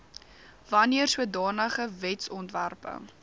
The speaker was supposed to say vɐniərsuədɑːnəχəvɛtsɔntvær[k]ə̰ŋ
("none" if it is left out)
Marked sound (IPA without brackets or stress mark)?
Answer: p